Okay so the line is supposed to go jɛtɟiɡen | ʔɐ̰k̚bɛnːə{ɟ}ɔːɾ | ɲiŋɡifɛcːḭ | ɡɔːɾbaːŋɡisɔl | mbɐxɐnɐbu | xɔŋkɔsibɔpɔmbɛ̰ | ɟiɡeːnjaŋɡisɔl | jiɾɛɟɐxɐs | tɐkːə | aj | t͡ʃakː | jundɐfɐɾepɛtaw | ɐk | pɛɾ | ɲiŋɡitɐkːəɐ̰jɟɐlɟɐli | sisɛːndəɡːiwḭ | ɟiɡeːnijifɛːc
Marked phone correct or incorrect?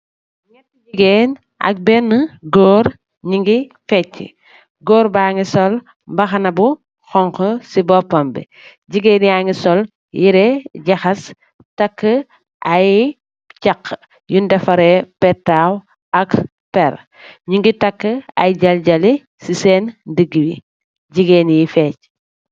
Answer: incorrect